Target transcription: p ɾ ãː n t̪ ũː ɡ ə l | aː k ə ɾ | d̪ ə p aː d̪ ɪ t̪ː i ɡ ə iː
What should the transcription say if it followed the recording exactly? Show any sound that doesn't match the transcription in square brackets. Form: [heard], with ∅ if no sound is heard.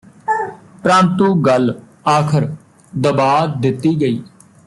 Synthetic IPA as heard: p ɾ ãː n t̪ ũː ɡ ə l | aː [kʰ] ə ɾ | d̪ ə [b] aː d̪ ɪ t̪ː [iː] ɡ ə iː